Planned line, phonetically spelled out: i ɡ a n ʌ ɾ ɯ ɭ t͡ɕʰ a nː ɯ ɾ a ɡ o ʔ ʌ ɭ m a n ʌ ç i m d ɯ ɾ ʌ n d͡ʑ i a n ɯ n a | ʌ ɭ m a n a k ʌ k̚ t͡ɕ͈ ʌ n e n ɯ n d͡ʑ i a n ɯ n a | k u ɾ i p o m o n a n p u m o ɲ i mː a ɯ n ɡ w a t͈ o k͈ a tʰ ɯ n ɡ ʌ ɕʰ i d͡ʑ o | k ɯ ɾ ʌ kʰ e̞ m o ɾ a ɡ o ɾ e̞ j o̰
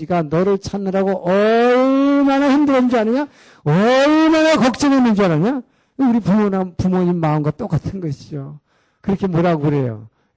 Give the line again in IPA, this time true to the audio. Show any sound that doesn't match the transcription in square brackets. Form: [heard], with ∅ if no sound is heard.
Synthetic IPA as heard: i ɡ a n ʌ ɾ ɯ ɭ t͡ɕʰ a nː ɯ ɾ a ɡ o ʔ ʌ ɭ m a n [a] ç i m d ɯ ɾ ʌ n d͡ʑ i a n ɯ [ɲ] a | ʌ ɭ m a n a k ʌ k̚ t͡ɕ͈ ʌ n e n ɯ n d͡ʑ i a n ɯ [ɲ] a | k u ɾ i p [u] m o n a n p u m o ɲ i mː a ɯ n ɡ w a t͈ o k͈ a tʰ ɯ n ɡ ʌ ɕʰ i d͡ʑ o | k ɯ ɾ ʌ kʰ e̞ m o ɾ a ɡ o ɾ e̞ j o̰